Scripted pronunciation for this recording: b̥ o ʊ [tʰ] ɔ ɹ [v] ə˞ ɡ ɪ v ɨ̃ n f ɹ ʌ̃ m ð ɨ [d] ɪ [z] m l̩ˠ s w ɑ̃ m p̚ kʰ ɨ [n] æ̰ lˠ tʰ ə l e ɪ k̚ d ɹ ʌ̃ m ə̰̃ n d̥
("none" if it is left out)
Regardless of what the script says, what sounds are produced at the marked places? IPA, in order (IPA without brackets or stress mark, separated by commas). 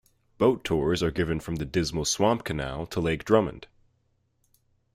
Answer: tʰ, z, d, z, n